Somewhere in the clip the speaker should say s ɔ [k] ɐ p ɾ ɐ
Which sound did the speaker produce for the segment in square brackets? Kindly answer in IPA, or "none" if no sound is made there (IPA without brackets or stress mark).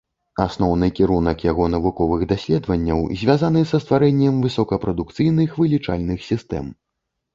k